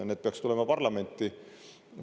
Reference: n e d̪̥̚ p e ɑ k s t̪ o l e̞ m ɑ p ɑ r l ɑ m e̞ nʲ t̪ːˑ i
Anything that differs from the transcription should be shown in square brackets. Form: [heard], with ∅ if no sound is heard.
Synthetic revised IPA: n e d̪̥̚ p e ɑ k s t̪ [u] l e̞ m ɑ p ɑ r l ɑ m e̞ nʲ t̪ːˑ i